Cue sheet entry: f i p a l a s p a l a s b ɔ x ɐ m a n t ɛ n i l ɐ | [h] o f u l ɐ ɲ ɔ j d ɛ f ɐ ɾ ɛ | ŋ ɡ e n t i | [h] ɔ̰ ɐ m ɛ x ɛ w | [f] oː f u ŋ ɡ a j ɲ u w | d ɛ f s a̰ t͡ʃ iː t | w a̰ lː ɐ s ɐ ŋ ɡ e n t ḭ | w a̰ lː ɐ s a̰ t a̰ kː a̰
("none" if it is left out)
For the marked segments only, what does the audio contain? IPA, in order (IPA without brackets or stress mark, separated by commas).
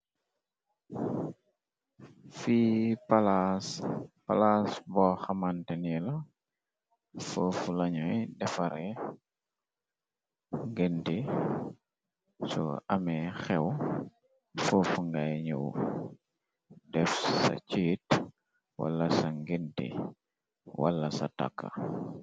f, s, f